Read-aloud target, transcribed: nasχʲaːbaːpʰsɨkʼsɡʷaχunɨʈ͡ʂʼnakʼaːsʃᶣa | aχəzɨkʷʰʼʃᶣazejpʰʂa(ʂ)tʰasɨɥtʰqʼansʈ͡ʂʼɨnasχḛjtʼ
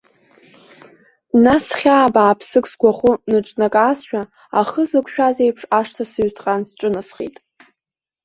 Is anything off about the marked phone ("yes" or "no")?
no